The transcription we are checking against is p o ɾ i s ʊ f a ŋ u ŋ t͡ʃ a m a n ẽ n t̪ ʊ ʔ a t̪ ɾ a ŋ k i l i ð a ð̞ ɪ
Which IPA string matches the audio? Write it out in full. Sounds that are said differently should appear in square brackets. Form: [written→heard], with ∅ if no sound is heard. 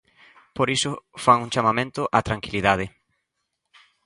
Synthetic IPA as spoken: p o ɾ i s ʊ f a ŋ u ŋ t͡ʃ a m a [n→m] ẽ n t̪ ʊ ʔ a t̪ ɾ a ŋ k i l i ð a ð̞ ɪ

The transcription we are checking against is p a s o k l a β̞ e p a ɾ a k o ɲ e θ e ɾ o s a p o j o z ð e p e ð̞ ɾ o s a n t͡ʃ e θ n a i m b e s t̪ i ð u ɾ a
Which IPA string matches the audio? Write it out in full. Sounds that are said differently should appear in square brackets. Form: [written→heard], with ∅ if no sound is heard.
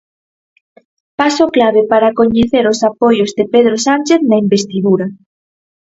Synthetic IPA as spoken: p a s o k l a β̞ e p a ɾ a k o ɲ e θ e ɾ o s a p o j o z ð e p e ð̞ ɾ o s a n t͡ʃ e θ n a i m b e s t̪ i ð u ɾ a

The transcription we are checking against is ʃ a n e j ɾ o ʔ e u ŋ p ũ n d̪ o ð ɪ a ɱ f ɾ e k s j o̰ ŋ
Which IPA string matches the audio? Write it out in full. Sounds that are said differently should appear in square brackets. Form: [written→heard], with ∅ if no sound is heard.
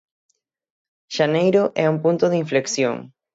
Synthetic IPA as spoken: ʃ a n e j ɾ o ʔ [e→ɛ] u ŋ p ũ n [d̪→t̪] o ð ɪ [a→i] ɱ f [ɾ→l] e k s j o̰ ŋ

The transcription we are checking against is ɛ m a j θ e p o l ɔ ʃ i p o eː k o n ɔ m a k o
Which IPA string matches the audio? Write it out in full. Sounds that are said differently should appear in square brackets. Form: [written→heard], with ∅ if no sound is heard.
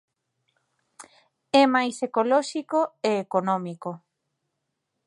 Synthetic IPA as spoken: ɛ m a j [θ→s] e [p→k] o l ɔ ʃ i [p→k] o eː k o n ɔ m [a→i] k o

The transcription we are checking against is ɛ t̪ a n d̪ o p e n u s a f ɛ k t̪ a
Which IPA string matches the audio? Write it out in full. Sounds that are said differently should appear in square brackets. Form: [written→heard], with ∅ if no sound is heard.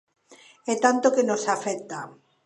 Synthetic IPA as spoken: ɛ t̪ a n [d̪→t̪] o [p→k] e n [u→o] s a f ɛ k t̪ a

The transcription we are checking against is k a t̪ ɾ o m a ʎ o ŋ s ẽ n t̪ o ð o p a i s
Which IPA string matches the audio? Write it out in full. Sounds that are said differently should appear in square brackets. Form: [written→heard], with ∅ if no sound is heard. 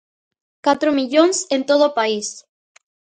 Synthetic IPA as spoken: k a t̪ ɾ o m [a→i] ʎ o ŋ s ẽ n t̪ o ð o p a i s

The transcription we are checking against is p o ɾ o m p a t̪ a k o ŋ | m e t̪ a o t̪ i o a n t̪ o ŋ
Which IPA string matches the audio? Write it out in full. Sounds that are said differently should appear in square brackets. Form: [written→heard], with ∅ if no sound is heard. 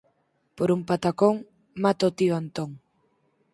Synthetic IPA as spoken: p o ɾ [o→u] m p a t̪ a k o ŋ | m [e→a] t̪ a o t̪ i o a n t̪ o ŋ

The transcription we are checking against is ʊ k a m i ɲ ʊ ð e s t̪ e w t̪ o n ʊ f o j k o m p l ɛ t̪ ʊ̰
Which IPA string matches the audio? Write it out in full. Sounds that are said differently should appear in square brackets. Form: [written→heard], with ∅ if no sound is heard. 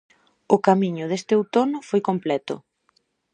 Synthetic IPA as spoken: ʊ k a m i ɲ ʊ ð e s t̪ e w t̪ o n ʊ f o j k o m p l ɛ t̪ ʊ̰

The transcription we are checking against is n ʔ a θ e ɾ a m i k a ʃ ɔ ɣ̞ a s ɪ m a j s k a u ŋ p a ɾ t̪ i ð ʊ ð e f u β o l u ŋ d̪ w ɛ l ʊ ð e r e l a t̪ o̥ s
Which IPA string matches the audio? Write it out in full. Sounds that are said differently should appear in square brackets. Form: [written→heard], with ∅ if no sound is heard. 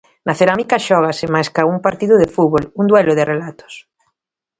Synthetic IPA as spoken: n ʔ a θ e ɾ a m i k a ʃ ɔ ɣ̞ a s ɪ m a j s k a u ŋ p a ɾ t̪ i ð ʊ ð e f u β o l u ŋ d̪ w ɛ l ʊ ð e r e l a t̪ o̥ s

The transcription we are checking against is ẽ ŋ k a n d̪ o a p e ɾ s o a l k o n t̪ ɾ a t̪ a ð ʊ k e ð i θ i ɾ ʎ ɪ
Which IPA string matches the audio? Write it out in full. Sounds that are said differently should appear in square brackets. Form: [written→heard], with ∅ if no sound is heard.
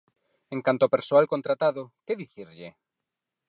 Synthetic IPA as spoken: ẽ ŋ k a n [d̪→t̪] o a p e ɾ s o a l k o n t̪ ɾ a t̪ a ð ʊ k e ð i θ i ɾ ʎ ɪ

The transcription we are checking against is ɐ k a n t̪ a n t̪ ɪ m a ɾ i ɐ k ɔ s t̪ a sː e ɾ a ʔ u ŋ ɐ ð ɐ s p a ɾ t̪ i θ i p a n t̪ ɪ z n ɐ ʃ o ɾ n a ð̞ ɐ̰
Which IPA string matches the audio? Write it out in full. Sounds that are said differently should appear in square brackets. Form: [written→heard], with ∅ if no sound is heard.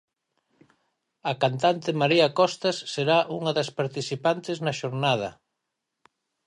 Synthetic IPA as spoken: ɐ k a n t̪ a n t̪ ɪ m a ɾ i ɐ k ɔ s t̪ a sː e ɾ a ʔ u ŋ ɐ ð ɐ s p a ɾ t̪ i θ i p a n t̪ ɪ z n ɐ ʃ o ɾ n a ð̞ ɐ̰

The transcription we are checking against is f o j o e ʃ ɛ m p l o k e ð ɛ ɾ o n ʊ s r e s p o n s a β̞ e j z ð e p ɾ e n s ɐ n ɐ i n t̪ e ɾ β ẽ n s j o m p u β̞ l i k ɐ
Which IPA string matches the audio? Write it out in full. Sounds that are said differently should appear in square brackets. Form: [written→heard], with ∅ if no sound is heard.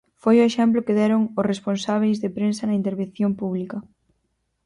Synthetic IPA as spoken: f o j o e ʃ ɛ m p l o k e ð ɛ ɾ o [n→ŋ] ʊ s r e s p o n s a β̞ e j z ð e p ɾ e n s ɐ n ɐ i n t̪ e ɾ β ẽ n [s→θ] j o m p u β̞ l i k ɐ

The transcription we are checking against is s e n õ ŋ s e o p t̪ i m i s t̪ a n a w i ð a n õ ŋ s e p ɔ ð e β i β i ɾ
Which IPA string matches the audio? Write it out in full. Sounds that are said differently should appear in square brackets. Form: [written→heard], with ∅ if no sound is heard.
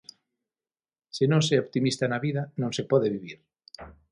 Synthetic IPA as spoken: s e n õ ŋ s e o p t̪ i m i s t̪ a n a [w→β] i ð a n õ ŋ s e p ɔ ð e β i β i ɾ

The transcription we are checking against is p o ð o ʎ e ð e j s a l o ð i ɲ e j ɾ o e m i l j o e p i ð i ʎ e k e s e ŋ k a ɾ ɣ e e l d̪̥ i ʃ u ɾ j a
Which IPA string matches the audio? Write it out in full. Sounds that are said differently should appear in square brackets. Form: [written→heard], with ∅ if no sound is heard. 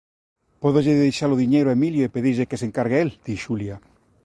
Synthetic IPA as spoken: p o ð o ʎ e ð e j [s→ʃ] a l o ð i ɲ e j ɾ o e m i l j o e p [i→e] ð i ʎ e k e s e ŋ k a ɾ ɣ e e l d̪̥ i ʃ u [ɾ→l] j a

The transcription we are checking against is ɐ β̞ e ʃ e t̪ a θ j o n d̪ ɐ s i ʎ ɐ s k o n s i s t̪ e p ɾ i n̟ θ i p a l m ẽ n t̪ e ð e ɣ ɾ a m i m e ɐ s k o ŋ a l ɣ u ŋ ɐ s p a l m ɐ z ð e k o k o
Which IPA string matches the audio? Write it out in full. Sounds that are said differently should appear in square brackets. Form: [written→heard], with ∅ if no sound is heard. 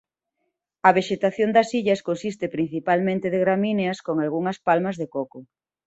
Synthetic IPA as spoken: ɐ β̞ e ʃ e t̪ a θ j o n d̪ ɐ s i ʎ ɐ s k o n s i s t̪ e p ɾ i n̟ θ i p a l m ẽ n t̪ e ð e ɣ ɾ a m i [m→n] e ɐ s k o ŋ a l ɣ u ŋ ɐ s p a l m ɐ z ð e k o k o

